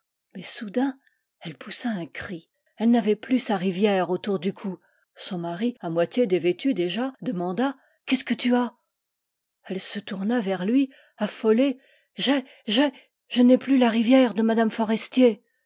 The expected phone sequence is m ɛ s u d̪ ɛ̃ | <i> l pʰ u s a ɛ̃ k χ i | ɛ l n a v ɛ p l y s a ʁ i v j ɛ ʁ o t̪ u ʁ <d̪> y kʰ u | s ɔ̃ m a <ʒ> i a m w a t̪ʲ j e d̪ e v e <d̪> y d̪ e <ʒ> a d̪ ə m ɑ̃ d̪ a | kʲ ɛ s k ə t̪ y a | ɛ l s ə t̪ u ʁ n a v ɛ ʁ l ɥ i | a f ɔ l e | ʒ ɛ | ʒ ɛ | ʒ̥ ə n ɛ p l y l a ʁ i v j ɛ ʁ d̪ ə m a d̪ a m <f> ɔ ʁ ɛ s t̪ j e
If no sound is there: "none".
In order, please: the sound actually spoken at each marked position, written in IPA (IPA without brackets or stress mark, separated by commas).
ɛ, d̪, ʁ, t̪, ʒ, f